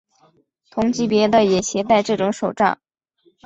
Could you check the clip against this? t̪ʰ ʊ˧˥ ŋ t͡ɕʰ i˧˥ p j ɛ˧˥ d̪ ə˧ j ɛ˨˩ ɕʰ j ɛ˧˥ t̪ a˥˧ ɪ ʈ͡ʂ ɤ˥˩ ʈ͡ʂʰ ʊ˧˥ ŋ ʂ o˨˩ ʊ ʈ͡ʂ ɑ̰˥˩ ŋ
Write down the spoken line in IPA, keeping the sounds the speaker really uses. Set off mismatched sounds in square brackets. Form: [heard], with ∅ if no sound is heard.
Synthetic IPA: t̪ʰ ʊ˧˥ ŋ [t͡ɕ] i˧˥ p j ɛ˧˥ d̪ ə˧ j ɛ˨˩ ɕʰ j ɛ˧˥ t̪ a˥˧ ɪ ʈ͡ʂ ɤ˥˩ [ʈ͡ʂ] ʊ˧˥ ŋ ʂ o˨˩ ʊ ʈ͡ʂ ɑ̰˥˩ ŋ

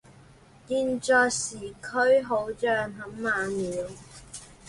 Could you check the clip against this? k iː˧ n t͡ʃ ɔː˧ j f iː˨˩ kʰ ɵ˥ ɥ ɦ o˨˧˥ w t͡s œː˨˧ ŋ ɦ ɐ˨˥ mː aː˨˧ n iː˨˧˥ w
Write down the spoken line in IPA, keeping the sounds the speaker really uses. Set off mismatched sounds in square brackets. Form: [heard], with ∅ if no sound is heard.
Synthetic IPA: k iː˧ n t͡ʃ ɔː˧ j [s] iː˨˩ kʰ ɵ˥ ɥ ɦ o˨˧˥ w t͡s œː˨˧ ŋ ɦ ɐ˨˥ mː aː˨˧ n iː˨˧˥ w

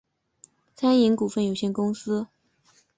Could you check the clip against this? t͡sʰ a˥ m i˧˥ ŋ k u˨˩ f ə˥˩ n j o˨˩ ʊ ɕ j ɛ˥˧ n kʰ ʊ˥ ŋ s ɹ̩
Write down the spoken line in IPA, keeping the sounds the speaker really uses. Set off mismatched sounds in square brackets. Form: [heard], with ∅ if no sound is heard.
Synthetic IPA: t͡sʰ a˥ [n] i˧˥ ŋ k u˨˩ f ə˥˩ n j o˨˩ ʊ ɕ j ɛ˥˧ n [k] ʊ˥ ŋ s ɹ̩

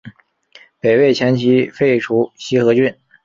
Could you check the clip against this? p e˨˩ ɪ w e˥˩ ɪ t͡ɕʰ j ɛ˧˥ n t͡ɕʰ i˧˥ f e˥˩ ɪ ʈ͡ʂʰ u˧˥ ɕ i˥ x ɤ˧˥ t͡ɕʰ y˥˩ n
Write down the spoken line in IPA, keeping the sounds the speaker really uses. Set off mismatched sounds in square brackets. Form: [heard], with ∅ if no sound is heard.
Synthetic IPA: p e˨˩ ɪ w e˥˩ ɪ t͡ɕʰ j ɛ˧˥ n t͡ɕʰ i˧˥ f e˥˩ ɪ ʈ͡ʂʰ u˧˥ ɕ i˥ x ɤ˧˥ [t͡ɕ] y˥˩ n

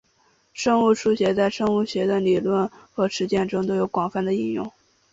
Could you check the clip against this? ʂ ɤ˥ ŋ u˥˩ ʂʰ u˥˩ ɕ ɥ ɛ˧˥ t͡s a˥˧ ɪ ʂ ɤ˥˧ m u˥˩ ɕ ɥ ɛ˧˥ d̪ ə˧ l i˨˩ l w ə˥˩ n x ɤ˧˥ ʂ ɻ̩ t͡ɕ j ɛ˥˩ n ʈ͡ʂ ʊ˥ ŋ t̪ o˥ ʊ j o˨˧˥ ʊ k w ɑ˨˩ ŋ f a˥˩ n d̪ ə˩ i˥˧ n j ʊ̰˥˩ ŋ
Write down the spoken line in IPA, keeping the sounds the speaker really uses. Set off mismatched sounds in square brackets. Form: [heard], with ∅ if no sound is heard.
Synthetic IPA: ʂ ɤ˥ ŋ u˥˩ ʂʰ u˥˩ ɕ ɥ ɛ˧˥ t͡s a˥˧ ɪ ʂ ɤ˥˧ [ŋ] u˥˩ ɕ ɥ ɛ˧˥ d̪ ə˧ l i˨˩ l w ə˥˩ n x ɤ˧˥ ʂ ɻ̩ t͡ɕ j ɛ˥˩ n ʈ͡ʂ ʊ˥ ŋ t̪ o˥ ʊ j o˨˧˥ ʊ k w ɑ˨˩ ŋ f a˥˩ n d̪ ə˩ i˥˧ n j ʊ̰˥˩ ŋ

